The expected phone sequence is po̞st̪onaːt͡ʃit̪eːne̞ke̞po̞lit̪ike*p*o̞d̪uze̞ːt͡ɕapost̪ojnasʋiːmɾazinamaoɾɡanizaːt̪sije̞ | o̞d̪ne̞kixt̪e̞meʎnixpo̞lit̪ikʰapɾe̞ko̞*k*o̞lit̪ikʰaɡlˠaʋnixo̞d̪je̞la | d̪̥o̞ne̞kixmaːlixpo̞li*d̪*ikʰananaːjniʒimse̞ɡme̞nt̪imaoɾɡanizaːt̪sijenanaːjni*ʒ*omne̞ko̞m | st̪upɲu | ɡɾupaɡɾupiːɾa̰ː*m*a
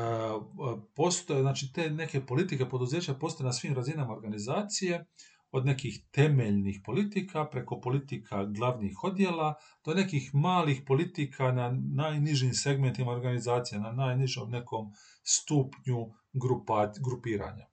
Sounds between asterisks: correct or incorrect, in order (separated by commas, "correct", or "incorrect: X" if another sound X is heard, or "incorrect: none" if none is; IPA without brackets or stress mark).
correct, incorrect: p, incorrect: t̪, correct, incorrect: ɲ